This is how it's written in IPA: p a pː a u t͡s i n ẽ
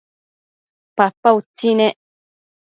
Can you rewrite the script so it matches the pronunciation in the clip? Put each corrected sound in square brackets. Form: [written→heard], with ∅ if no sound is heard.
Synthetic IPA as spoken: p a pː a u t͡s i n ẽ